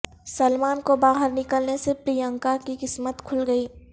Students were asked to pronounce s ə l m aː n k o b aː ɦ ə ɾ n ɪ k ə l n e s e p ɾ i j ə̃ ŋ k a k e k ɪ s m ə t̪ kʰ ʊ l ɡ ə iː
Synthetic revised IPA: s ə l m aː n k o b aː ɦ ə ɾ n ɪ k ə l n e s e p ɾ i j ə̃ ŋ k a k i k ɪ s m ə t̪ kʰ ʊ l ɡ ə iː